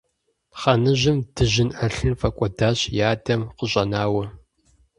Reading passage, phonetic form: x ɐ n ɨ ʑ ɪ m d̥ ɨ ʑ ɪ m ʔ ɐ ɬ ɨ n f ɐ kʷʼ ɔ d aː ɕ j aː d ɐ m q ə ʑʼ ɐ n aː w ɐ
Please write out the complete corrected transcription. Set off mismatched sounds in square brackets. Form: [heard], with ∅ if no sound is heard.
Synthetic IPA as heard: [χ] ɐ n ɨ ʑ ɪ m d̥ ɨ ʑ ɪ [n] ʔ ɐ ɬ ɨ n f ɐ kʷʼ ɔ d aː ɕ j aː d ɐ m q ə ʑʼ ɐ n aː w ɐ